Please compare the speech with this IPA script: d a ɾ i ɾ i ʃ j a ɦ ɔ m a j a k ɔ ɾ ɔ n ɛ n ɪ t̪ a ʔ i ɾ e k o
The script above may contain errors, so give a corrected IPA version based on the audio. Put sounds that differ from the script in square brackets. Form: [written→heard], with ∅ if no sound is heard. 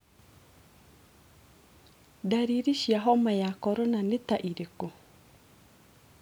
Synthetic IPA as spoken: d a ɾ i ɾ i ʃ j a ɦ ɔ m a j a k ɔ ɾ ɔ n [ɛ→a] n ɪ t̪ a ʔ i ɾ e k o